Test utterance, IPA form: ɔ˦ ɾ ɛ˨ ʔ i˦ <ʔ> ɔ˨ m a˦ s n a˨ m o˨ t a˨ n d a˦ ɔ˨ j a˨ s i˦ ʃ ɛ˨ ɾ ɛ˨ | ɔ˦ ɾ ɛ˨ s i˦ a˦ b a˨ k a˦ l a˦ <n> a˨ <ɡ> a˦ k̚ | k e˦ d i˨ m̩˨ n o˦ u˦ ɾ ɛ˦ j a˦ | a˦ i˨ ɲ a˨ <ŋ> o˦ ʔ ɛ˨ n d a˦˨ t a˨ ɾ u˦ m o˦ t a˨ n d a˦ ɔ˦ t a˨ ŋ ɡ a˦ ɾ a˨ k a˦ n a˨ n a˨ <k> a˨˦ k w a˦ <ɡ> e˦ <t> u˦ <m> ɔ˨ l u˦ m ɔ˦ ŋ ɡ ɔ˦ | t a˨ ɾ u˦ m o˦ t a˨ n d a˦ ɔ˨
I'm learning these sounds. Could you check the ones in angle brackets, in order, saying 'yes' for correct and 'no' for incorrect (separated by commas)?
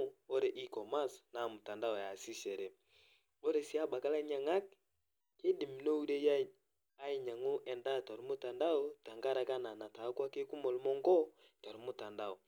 no, no, no, yes, no, no, no, yes